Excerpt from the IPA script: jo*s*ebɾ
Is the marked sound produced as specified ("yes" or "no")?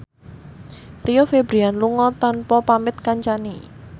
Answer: no